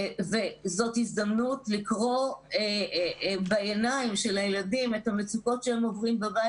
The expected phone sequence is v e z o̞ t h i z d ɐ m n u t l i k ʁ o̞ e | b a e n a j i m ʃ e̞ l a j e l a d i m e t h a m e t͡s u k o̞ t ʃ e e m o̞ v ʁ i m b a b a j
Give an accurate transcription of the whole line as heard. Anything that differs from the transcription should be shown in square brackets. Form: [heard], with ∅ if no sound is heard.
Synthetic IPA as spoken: v e z o̞ t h i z d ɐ m n u t l i k ʁ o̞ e | b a e n a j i m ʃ e̞ l a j e l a d i m e t h a m e t͡s u k o̞ t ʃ e e m o̞ v ʁ i m b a b a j